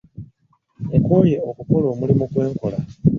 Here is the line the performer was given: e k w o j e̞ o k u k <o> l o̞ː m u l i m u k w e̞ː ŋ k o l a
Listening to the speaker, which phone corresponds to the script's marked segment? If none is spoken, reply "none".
o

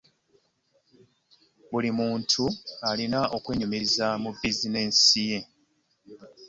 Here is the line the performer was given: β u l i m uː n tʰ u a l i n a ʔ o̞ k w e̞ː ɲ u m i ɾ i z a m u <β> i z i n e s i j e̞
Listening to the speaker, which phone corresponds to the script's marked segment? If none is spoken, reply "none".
b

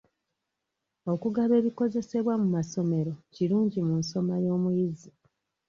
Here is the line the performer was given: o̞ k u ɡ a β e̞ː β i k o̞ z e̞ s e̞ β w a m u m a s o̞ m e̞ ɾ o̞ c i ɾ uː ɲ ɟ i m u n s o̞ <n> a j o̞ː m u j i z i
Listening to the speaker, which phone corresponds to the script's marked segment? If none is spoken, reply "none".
m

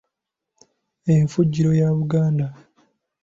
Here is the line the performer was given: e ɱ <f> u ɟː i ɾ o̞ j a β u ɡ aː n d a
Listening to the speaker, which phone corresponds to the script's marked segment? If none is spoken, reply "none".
f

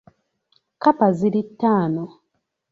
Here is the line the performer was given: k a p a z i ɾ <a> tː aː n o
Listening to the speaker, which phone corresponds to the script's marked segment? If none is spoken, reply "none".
i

